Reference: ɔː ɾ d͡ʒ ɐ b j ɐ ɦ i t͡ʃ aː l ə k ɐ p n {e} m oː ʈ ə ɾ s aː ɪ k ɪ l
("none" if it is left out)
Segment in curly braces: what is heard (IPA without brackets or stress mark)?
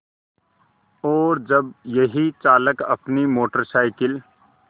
i